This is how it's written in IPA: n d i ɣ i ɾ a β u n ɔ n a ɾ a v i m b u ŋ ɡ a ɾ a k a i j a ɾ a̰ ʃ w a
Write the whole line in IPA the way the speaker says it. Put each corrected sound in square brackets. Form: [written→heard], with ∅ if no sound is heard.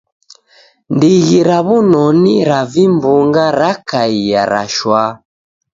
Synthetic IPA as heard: n d i ɣ i ɾ a β u n ɔ n [a→i] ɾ a v i m b u ŋ ɡ a ɾ a k a i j a ɾ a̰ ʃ w a